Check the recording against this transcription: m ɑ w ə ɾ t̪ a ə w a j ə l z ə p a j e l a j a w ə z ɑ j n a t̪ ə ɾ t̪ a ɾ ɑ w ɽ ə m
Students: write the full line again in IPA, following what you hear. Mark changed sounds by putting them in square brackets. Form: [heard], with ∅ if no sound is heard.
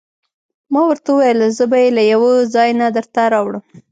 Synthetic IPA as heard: m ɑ w ə ɾ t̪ a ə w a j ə l z ə [b] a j e l a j a w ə z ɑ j n a [d̪] ə ɾ t̪ a ɾ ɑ w ɽ ə m